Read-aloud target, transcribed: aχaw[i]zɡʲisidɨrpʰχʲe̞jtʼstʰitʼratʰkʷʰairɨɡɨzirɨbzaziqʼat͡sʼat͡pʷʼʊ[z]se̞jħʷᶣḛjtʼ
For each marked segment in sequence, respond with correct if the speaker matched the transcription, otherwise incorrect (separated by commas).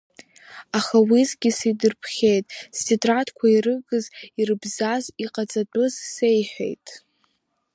correct, correct